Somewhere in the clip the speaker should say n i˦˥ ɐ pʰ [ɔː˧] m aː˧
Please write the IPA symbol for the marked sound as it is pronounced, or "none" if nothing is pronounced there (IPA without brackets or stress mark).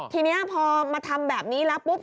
ɔː˧